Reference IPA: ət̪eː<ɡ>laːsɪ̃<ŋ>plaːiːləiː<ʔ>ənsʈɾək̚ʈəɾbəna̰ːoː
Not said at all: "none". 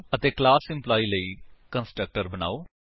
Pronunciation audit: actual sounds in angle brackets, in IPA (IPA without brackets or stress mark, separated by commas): k, m, k